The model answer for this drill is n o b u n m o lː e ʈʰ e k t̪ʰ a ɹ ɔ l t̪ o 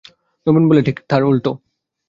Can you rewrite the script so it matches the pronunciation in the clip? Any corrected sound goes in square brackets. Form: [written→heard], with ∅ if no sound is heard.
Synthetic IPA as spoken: n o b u n [m→b] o [lː→l] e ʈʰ [e→i] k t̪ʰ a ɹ [ɔ→u] l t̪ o